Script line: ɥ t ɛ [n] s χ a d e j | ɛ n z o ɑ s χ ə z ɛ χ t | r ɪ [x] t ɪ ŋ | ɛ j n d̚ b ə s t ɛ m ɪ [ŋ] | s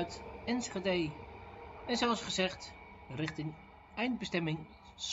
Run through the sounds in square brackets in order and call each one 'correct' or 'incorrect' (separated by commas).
correct, incorrect, correct